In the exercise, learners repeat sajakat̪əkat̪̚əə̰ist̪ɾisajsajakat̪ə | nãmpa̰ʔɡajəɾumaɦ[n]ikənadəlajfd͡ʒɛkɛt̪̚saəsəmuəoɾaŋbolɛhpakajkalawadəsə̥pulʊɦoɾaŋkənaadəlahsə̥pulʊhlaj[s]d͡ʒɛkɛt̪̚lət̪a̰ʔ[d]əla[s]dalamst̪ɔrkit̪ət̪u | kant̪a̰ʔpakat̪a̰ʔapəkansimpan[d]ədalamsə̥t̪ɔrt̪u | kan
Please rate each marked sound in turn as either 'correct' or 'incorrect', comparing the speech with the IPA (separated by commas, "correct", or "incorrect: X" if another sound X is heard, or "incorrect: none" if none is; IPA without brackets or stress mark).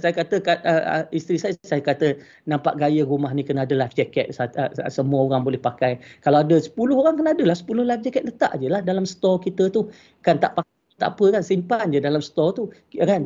correct, incorrect: f, incorrect: d͡ʒ, incorrect: h, incorrect: d͡ʒ